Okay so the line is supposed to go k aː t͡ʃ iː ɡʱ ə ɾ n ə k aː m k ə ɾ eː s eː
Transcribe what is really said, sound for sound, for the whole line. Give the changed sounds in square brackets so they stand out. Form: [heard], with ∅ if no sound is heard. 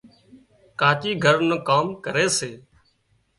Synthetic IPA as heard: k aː t͡ʃ iː ɡʱ ə ɾ n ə k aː m k ə ɾ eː s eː